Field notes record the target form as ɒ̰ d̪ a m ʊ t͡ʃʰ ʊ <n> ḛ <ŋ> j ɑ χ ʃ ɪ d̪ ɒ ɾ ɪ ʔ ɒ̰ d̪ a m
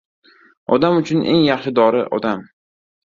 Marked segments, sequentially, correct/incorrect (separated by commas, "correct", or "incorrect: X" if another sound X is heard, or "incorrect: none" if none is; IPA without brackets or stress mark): correct, correct